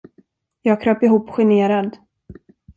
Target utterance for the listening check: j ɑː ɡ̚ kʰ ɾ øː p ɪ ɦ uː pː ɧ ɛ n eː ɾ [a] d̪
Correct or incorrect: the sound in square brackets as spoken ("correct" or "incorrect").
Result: correct